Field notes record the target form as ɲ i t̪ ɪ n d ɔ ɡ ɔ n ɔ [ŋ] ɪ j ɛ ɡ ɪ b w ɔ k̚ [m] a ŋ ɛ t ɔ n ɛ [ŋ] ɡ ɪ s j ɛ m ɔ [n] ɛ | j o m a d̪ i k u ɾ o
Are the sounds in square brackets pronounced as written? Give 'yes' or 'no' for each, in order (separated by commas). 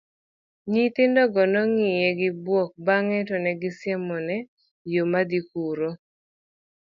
yes, no, no, yes